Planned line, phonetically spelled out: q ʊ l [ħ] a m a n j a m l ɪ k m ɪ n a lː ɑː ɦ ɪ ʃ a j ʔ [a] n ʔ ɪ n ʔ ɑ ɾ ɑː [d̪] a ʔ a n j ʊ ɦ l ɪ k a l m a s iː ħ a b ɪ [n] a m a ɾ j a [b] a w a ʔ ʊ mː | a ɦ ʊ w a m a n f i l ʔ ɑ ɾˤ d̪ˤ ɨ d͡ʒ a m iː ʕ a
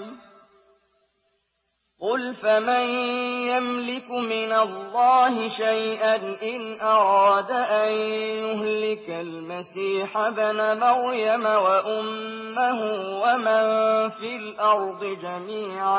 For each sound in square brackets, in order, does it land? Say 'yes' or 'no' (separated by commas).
no, yes, yes, yes, no